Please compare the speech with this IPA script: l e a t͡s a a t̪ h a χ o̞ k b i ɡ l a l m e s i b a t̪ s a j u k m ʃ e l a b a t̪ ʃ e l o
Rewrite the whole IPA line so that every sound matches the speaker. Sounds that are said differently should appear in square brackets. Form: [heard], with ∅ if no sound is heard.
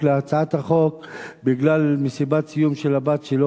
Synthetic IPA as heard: l e a t͡s a a t̪ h a χ o̞ k b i ɡ l a l m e s i b a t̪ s [i] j u [∅] m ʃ e l a b a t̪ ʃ e l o